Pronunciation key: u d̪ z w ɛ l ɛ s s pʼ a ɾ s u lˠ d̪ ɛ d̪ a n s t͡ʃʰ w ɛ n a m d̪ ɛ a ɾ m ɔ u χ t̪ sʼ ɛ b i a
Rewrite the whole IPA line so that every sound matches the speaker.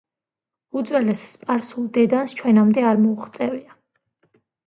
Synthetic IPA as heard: u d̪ z w ɛ l ɛ s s pʼ a ɾ s u lˠ d̪ ɛ d̪ a n s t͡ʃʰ w ɛ n a m d̪ ɛ a ɾ m ɔ u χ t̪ sʼ ɛ v i a